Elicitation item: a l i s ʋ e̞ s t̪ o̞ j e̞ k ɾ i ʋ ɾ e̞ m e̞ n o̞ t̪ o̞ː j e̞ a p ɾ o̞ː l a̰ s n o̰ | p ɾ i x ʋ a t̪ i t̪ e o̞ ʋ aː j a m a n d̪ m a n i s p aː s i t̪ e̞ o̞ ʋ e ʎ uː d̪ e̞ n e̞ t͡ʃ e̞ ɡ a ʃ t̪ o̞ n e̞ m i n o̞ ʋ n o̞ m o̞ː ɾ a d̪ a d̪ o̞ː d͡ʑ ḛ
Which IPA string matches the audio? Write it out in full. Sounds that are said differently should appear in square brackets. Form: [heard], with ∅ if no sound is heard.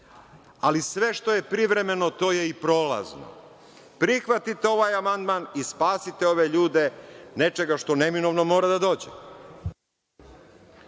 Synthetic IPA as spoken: a l i s ʋ e̞ [ʃ] t̪ o̞ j e̞ [p] ɾ i ʋ ɾ e̞ m e̞ n o̞ t̪ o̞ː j e̞ [i] p ɾ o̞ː l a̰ [z] n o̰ | p ɾ i x ʋ a t̪ i t̪ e o̞ ʋ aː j a m a n d̪ m a n i s p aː s i t̪ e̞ o̞ ʋ e ʎ uː d̪ e̞ n e̞ t͡ʃ e̞ ɡ a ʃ t̪ o̞ n e̞ m i n o̞ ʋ n o̞ m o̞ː ɾ a d̪ a d̪ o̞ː d͡ʑ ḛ

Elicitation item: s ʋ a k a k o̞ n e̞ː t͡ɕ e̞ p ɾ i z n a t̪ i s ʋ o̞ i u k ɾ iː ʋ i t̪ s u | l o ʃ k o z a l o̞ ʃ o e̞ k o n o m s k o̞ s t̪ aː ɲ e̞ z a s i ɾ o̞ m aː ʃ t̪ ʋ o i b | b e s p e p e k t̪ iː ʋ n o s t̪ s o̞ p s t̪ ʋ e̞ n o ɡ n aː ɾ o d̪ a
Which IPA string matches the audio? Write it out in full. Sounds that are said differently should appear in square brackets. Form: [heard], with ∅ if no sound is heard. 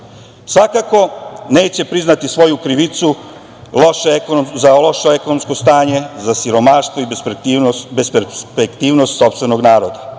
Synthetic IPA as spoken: s ʋ a k a k o̞ n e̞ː t͡ɕ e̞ p ɾ i z n a t̪ i s ʋ o̞ [j] u k ɾ [i] ʋ i t̪ s u | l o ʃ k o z a l o̞ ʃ o e̞ k o n o m s k o̞ s t̪ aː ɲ e̞ z a s i ɾ o̞ m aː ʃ t̪ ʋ o i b | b e s p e p e k t̪ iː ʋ n o s t̪ s o̞ p s t̪ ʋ e̞ n o ɡ n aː ɾ o d̪ a

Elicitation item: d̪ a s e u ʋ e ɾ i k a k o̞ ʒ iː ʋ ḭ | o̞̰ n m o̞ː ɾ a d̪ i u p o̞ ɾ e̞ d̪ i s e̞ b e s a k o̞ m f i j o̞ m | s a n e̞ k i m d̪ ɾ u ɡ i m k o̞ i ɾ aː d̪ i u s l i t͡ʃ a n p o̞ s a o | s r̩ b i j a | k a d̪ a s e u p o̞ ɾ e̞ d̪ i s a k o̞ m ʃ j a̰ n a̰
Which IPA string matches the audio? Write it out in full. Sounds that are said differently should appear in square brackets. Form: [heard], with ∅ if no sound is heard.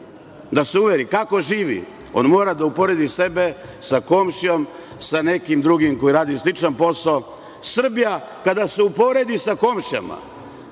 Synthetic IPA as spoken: d̪ a s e u ʋ e ɾ i k a k o̞ ʒ iː ʋ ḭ | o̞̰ n m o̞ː ɾ a d̪ [a] u p o̞ ɾ e̞ d̪ i s e̞ b e s a k o̞ m [ʃ] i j o̞ m | s a n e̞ k i m d̪ ɾ u ɡ i m k o̞ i ɾ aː d̪ i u s l i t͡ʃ a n p o̞ s a o | s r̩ b i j a | k a d̪ a s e u p o̞ ɾ e̞ d̪ i s a k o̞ m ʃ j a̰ [m] a̰

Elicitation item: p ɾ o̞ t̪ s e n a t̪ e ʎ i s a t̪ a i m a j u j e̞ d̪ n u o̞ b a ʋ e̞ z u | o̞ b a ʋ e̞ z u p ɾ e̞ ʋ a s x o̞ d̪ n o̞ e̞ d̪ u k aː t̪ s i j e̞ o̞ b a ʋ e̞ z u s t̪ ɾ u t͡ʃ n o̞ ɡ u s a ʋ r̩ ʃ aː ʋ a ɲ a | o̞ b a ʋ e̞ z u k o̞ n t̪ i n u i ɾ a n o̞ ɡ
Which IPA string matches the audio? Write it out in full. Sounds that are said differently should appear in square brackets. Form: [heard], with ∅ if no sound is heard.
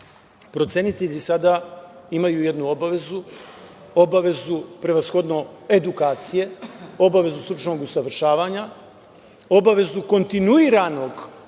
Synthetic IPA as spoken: p ɾ o̞ t̪ s e n [i] t̪ e ʎ i s a [d̪] a i m a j u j e̞ d̪ n u o̞ b a ʋ e̞ z u | o̞ b a ʋ e̞ z u p ɾ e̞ ʋ a s x o̞ d̪ n o̞ e̞ d̪ u k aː t̪ s i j e̞ o̞ b a ʋ e̞ z u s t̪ ɾ u t͡ʃ n o̞ ɡ u s a ʋ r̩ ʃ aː ʋ a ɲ a | o̞ b a ʋ e̞ z u k o̞ n t̪ i n u i ɾ a n o̞ ɡ

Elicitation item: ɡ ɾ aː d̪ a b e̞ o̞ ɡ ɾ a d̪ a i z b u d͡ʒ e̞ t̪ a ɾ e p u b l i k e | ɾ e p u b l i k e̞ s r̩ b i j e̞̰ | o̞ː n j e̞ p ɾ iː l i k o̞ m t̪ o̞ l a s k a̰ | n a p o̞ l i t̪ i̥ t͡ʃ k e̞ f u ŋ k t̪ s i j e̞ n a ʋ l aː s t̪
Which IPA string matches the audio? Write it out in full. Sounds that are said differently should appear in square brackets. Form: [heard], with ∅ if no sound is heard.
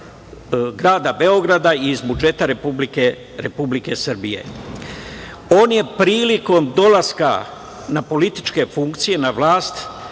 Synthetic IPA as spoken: ɡ ɾ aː d̪ a b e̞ o̞ ɡ ɾ a d̪ a i z b u d͡ʒ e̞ t̪ a ɾ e p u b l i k e | ɾ e p u b l i k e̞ s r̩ b i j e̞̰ | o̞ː n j e̞ p ɾ iː l i k o̞ m [d̪] o̞ l a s k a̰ | n a p o̞ l i t̪ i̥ t͡ʃ k e̞ f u ŋ k t̪ s i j e̞ n a ʋ l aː s t̪

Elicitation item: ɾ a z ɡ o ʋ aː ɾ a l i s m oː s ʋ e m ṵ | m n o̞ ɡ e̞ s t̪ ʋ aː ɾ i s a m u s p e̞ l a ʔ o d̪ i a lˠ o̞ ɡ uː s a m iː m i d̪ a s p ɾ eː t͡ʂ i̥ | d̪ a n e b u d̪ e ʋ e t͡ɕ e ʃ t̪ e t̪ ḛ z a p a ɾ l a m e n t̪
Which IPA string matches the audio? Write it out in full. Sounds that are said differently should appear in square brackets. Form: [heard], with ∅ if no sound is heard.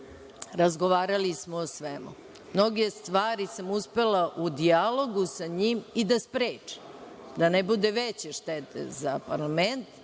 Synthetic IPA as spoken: ɾ a z ɡ o ʋ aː ɾ a l i s m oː s ʋ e m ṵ | m n o̞ ɡ e̞ s t̪ ʋ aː ɾ i s a m u s p e̞ l a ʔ [u] d̪ i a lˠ o̞ ɡ [u] s a [ɲ] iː m i d̪ a s p ɾ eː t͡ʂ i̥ | d̪ a n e b u d̪ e ʋ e t͡ɕ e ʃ t̪ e t̪ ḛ z a p a ɾ l a m e n t̪

